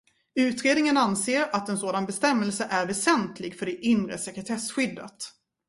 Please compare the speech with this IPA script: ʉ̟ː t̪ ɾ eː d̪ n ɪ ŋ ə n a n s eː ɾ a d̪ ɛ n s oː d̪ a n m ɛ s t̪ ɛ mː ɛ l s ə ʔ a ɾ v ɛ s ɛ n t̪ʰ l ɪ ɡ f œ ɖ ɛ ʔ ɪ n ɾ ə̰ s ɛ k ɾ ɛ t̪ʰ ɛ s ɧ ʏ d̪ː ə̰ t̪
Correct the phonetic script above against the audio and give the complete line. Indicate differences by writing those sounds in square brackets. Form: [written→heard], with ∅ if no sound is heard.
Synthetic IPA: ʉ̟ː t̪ ɾ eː d̪ n ɪ ŋ ə n a n s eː ɾ a [d̪→t̪] ɛ n s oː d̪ a n [m→b] ɛ s t̪ ɛ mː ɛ l s ə ʔ [a→æ] ɾ v ɛ s ɛ n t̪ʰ l ɪ ɡ f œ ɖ ɛ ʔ ɪ n ɾ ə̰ s ɛ k ɾ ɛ t̪ʰ ɛ s ɧ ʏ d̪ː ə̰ t̪